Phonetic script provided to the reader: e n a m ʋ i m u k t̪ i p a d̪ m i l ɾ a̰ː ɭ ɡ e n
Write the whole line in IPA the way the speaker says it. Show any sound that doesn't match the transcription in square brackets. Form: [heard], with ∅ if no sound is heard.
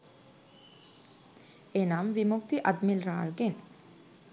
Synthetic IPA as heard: e n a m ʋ i m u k t̪ i [ʔ] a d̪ m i l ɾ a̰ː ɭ ɡ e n